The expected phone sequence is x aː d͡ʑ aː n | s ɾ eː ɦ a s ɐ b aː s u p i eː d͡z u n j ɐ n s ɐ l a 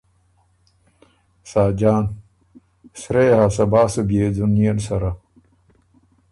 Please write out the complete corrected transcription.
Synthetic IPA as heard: s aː d͡ʑ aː n | s ɾ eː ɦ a s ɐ b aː s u b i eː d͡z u n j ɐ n s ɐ ɾ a